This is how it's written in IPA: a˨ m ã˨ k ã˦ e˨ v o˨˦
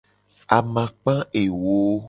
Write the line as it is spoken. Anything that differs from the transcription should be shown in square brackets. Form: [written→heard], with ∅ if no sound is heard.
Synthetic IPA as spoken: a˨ m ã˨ [k→k͡p] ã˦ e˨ [v→w] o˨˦